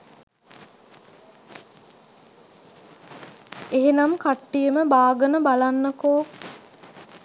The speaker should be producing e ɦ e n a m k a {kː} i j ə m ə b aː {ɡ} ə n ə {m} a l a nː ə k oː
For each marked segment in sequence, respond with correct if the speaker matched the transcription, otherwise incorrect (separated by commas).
incorrect, correct, incorrect